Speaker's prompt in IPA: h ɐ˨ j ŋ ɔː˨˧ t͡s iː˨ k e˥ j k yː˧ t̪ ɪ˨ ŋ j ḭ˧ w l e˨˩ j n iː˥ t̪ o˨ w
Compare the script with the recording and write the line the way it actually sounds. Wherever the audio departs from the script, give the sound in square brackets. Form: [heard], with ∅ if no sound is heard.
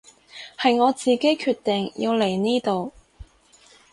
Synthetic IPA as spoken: h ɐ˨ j ŋ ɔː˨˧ t͡s iː˨ k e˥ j [kʰ] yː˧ t̪ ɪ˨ ŋ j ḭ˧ w l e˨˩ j n iː˥ t̪ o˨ w

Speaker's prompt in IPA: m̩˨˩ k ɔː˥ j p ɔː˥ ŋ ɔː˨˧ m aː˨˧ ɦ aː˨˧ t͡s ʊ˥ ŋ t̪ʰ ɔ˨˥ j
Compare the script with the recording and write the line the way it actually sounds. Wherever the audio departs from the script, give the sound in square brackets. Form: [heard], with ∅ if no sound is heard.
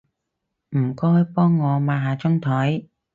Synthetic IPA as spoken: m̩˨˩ k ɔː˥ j p ɔː˥ [ŋː] ɔː˨˧ m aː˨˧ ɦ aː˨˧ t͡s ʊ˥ ŋ t̪ʰ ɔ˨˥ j

